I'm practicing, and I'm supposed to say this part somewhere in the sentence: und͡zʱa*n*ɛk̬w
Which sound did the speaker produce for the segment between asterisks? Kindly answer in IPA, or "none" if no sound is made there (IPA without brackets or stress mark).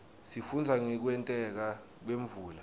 ŋ